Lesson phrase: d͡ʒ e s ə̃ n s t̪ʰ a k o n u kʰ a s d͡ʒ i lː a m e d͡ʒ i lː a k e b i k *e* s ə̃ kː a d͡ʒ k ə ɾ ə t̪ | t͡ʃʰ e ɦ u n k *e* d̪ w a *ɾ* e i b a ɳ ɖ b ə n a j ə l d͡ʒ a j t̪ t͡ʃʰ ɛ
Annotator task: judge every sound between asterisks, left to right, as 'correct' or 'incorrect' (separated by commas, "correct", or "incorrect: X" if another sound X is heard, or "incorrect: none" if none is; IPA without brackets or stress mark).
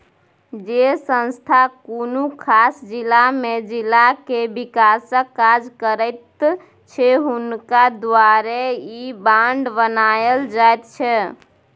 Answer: incorrect: a, incorrect: a, correct